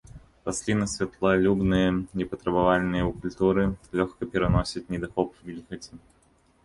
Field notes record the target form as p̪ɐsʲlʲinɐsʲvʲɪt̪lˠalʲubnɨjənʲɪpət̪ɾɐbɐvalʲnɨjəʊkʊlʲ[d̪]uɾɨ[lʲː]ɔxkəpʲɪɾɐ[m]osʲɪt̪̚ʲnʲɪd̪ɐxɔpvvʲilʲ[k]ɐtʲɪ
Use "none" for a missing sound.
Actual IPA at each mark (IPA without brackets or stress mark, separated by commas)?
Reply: t̪, lʲ, n, x